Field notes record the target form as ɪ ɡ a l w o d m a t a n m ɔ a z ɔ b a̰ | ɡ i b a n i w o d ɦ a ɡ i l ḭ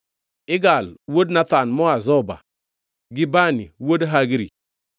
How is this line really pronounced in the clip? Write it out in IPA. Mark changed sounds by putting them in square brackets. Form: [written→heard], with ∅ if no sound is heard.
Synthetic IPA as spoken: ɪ ɡ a l w o d [m→n] a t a n m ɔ a z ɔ b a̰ | ɡ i b a n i w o d ɦ a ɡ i [l→ɾ] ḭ